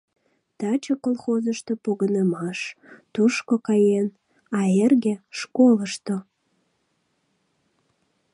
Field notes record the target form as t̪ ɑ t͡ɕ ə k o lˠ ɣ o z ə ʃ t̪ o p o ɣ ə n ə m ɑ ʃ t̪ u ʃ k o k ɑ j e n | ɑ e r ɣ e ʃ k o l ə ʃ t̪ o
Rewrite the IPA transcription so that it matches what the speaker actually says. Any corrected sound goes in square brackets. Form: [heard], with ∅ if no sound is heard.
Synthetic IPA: t̪ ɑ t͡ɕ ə k o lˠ [x] o z ə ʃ t̪ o p o ɣ ə n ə m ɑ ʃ t̪ u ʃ k o k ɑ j e n | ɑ e r ɣ e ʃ k o l ə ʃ t̪ o